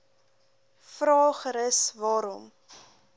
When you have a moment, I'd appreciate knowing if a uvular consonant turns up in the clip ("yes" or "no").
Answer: yes